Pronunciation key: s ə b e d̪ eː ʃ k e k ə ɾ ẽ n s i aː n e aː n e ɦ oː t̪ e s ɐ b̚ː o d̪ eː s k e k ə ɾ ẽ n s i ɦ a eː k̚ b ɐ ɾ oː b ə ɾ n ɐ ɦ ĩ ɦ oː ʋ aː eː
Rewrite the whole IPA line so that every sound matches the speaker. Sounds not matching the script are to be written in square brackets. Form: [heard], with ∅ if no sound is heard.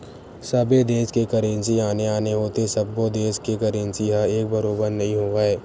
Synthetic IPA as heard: s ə b e d̪ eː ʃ k e k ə ɾ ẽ n s i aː n e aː n e ɦ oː t̪ e s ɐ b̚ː o d̪ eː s k e k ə ɾ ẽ n s i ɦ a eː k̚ b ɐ ɾ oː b ə ɾ n ɐ ɦ ĩ ɦ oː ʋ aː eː